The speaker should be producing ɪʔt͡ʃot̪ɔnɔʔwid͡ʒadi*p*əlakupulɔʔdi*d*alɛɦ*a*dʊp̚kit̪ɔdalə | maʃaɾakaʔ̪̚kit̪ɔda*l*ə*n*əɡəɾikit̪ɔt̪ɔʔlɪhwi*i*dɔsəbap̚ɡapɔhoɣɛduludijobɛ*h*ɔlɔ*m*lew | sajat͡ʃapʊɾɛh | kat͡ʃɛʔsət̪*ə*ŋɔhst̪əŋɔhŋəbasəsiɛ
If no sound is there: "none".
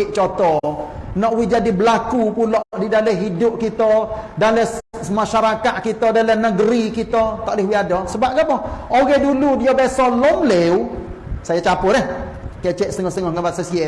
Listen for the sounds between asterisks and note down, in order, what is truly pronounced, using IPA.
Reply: b, d, i, l, n, a, s, m, ə

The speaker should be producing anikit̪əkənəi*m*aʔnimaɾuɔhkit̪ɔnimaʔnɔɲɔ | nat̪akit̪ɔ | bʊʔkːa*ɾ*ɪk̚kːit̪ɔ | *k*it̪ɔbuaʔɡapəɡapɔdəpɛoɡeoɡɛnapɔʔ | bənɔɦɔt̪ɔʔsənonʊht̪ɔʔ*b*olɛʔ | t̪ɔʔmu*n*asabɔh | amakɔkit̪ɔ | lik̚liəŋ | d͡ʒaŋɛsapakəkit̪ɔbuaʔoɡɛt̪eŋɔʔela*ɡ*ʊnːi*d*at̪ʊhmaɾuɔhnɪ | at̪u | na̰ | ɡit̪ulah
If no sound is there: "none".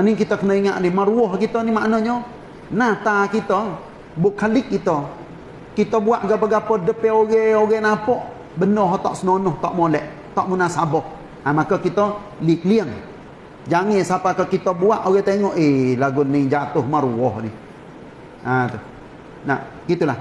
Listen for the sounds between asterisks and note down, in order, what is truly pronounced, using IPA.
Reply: ŋ, l, k, m, n, ɡ, d͡ʒ

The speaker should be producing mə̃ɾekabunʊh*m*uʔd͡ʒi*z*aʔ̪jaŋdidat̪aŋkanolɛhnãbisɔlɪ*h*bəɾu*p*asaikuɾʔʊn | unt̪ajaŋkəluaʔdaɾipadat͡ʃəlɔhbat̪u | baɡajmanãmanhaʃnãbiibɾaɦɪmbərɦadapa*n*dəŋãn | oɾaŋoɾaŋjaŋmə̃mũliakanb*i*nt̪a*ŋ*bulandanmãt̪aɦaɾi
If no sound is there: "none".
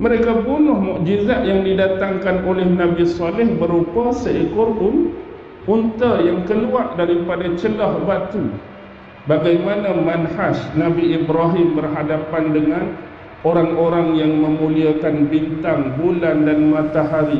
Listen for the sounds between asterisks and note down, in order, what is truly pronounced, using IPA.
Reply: m, z, h, p, n, i, ŋ

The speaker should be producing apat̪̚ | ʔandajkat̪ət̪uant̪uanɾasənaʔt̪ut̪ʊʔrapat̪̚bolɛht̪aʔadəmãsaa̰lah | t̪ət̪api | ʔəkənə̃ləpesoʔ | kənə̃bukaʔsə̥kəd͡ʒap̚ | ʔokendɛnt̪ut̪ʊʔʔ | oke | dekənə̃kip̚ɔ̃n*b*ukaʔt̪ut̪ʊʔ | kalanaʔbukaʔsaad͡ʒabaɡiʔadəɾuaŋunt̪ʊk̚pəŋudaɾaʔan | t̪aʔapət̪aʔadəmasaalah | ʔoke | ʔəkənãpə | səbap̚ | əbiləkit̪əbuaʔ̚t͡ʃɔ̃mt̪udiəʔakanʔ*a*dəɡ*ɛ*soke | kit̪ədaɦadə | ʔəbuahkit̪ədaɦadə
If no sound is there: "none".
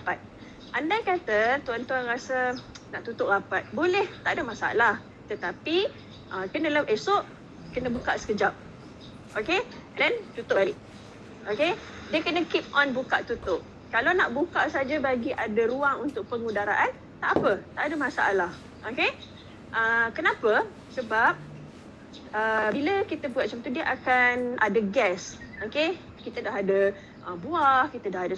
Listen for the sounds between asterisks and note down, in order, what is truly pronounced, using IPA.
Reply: b, a, ɛ

